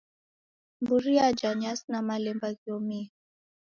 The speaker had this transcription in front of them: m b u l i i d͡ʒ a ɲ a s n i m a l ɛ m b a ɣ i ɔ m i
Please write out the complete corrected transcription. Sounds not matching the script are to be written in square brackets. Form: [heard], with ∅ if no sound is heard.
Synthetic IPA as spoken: m b u [ɾ] i [a] d͡ʒ a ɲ a s n [a] m a l ɛ m b a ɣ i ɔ m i